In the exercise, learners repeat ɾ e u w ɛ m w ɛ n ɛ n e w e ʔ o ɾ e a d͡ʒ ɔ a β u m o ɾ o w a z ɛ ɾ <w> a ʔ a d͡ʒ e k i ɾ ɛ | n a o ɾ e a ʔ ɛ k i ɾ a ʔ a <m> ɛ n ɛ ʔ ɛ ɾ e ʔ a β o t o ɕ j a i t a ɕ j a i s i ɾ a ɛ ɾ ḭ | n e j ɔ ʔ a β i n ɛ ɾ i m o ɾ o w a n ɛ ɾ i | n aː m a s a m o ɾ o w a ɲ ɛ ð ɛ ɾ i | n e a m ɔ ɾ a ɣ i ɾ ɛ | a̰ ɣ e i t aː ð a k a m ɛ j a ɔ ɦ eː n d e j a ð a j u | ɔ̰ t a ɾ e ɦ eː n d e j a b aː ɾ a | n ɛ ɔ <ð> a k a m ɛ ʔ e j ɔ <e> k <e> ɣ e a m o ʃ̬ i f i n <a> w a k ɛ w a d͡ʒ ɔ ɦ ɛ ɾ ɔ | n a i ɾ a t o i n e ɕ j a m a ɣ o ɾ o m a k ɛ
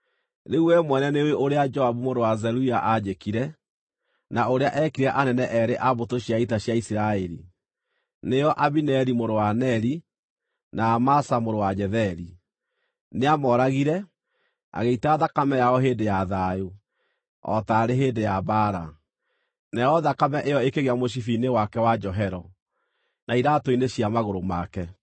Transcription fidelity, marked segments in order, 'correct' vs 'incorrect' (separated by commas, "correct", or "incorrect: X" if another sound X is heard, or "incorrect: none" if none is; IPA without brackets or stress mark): incorrect: u, incorrect: n, correct, correct, correct, incorrect: e